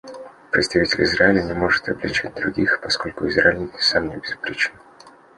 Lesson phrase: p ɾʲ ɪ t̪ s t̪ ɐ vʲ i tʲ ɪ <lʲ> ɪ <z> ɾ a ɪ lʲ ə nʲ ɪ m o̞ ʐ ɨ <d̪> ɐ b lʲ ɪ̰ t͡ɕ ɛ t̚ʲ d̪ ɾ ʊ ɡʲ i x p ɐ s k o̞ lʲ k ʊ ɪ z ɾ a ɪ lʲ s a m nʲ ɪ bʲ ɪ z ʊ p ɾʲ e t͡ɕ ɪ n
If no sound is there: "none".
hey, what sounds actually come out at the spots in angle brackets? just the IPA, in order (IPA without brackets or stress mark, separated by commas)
lʲ, z, t̪